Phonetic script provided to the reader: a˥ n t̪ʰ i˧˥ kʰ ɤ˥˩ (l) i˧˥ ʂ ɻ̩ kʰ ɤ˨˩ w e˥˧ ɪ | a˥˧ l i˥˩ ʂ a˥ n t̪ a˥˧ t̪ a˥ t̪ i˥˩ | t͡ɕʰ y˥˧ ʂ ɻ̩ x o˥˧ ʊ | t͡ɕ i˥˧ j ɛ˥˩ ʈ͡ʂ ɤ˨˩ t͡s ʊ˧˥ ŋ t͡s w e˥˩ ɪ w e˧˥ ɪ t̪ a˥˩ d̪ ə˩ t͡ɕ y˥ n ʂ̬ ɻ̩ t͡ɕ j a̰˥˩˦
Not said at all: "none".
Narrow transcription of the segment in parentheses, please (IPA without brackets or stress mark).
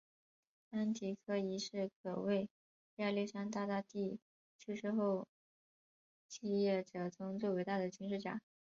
none